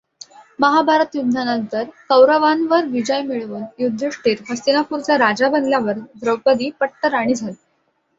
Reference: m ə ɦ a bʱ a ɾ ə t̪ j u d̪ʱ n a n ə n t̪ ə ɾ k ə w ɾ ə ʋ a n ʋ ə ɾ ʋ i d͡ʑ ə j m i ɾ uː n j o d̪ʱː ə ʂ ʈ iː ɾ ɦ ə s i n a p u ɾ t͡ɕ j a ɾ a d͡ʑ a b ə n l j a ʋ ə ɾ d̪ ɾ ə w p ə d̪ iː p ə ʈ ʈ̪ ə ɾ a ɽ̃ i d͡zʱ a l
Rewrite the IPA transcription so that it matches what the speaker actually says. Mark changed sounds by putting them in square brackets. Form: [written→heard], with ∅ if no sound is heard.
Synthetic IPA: m ə ɦ a bʱ a ɾ ə t̪ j u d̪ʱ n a n ə n t̪ ə ɾ k ə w ɾ ə ʋ a n ʋ ə ɾ ʋ i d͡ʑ ə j m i [ɾ→ɭ] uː n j [o→u] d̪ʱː ə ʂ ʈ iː ɾ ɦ ə s i n a p u ɾ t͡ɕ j a ɾ a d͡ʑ a b ə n l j a ʋ ə ɾ d̪ ɾ ə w p ə d̪ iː p ə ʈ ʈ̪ ə ɾ a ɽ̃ i d͡zʱ a l

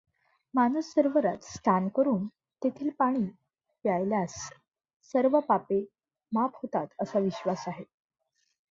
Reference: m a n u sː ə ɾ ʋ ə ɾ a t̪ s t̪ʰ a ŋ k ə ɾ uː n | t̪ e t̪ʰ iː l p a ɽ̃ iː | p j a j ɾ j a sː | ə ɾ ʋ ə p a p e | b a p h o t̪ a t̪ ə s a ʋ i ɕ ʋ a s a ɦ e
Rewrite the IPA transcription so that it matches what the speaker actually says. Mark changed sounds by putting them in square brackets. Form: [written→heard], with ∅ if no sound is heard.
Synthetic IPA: m a n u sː ə ɾ ʋ ə ɾ a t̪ s t̪ʰ a [ŋ→n] k ə ɾ uː n | t̪ e t̪ʰ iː l p a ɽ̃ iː | p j a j [ɾ→l] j a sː | ə ɾ ʋ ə p a p e | [b→m] a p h o t̪ a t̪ ə s a ʋ i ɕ ʋ a s a ɦ e

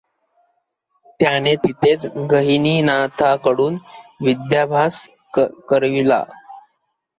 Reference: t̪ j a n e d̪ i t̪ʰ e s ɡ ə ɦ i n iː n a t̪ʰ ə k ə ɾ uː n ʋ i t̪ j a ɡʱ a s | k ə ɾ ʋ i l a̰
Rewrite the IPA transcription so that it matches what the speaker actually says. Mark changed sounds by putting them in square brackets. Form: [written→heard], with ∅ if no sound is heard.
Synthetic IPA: t̪ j a n e [d̪→t̪] i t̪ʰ e [s→t͡s] ɡ ə ɦ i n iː n a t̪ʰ [ə→a] k ə [ɾ→ɽ] uː n ʋ i [t̪→d̪] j a [ɡʱ→bʱ] a s | k ə ɾ ʋ i l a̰

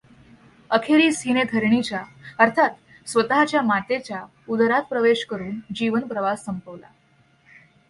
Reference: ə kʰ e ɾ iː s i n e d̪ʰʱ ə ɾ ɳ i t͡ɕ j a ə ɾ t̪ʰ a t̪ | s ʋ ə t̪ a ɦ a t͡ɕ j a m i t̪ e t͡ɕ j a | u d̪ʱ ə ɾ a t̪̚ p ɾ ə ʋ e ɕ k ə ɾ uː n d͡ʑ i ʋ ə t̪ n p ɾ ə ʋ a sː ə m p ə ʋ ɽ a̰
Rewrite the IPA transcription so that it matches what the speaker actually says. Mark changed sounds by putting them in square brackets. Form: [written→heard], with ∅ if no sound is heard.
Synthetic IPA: ə kʰ e ɾ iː s i n e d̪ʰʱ ə ɾ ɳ i t͡ɕ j a ə ɾ t̪ʰ a t̪ | s ʋ ə t̪ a ɦ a t͡ɕ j a m [i→a] t̪ e t͡ɕ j a | u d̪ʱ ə ɾ a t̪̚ p ɾ ə ʋ e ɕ k ə ɾ uː n d͡ʑ i ʋ ə [t̪→∅] n p ɾ ə ʋ a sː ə m p ə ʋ [ɽ→l] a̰

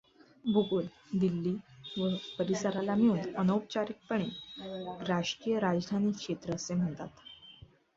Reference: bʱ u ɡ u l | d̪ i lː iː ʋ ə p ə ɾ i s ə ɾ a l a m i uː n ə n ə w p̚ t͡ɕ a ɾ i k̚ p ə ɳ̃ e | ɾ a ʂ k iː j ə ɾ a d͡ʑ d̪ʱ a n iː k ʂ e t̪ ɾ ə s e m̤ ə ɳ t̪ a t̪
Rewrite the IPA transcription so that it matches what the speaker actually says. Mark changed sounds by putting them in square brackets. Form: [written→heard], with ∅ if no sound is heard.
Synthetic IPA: bʱ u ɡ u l | d̪ i lː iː ʋ ə p ə ɾ i s ə ɾ a l a m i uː n ə n ə w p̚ t͡ɕ a ɾ i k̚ p ə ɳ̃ e | ɾ a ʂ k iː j ə ɾ a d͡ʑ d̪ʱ a n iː k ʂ e t̪ ɾ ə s e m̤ ə ɳ t̪ a t̪

